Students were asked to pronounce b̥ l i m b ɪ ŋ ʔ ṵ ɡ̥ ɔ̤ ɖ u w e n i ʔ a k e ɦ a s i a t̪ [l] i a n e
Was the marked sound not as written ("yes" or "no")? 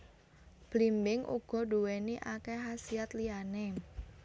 no